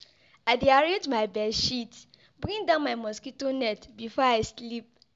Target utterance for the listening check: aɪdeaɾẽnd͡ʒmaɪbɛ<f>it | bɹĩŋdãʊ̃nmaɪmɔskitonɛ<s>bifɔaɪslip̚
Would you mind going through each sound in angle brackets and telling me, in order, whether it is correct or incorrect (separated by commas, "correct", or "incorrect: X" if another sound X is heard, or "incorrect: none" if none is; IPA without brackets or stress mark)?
incorrect: ʃ, incorrect: t